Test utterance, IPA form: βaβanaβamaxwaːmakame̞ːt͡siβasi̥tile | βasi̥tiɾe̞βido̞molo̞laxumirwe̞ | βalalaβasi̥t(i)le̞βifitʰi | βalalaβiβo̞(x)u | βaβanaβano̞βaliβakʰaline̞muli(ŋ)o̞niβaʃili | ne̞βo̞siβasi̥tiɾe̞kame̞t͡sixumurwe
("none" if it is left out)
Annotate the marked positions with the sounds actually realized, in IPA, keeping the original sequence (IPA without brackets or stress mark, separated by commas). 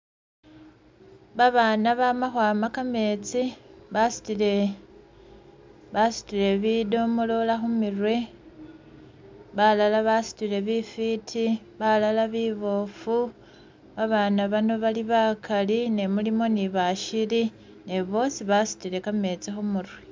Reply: i, f, m